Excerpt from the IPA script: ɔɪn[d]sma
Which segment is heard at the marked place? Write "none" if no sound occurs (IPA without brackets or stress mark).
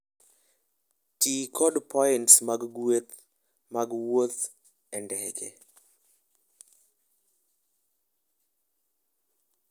t